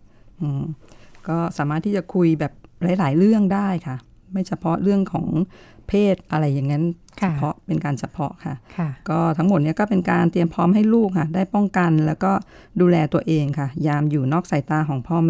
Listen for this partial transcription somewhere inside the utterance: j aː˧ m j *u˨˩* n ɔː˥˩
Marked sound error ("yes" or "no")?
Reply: yes